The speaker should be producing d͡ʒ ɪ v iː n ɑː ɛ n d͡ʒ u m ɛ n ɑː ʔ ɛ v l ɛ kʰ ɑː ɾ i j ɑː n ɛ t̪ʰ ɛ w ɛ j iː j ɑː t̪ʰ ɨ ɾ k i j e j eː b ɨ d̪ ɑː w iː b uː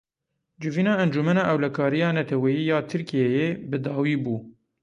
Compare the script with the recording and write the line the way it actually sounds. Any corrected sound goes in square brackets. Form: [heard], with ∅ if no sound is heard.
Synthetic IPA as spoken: d͡ʒ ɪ v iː n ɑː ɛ n d͡ʒ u m ɛ n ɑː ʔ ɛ [w] l ɛ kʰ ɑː ɾ i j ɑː n ɛ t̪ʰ ɛ w ɛ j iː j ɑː t̪ʰ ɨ ɾ k i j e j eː b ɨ d̪ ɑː w iː b uː